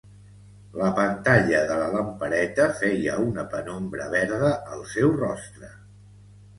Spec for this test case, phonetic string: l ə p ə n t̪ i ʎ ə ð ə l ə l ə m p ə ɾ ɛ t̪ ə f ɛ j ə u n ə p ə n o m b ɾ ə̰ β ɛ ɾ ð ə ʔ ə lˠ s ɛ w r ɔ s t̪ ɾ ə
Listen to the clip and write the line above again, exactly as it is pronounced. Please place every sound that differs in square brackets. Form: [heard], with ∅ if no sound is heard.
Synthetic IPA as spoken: l ə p ə n t̪ [a] ʎ ə ð ə l ə l ə m p ə ɾ ɛ t̪ ə f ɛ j ə u n ə p ə n o m b ɾ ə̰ β ɛ ɾ ð ə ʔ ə lˠ s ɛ w r ɔ s t̪ ɾ ə